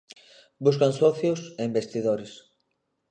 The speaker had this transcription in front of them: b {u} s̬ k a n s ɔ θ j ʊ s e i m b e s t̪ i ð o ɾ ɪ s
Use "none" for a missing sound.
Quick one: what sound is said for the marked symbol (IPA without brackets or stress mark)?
u